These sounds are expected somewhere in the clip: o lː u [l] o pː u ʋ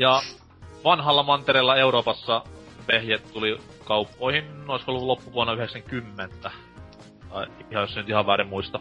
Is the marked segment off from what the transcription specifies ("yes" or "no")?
no